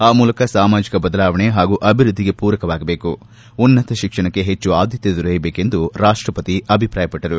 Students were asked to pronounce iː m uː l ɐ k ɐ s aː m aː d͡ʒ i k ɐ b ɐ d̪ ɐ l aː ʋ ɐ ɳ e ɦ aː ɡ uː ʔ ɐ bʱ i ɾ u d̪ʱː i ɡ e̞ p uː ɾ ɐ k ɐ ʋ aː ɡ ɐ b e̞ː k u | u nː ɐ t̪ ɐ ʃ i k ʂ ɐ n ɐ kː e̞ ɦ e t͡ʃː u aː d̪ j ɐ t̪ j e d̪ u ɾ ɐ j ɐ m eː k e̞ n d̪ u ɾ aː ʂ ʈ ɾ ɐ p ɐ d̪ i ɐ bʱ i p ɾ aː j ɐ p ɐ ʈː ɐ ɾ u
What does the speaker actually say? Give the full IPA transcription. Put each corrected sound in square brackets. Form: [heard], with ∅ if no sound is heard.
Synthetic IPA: [aː] m uː l ɐ k ɐ s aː m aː d͡ʒ i k ɐ b ɐ d̪ ɐ l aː ʋ ɐ ɳ e ɦ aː ɡ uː ʔ ɐ bʱ i ɾ u d̪ʱː i ɡ e̞ p uː ɾ ɐ k ɐ ʋ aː ɡ ɐ b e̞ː k u | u nː ɐ t̪ ɐ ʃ i k ʂ ɐ [ɳ] ɐ kː e̞ ɦ e t͡ʃː u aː d̪ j ɐ t̪ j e d̪ u ɾ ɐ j ɐ [b] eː k e̞ n d̪ u ɾ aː ʂ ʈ ɾ ɐ p ɐ [t̪] i ɐ bʱ i p ɾ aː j ɐ p ɐ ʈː ɐ ɾ u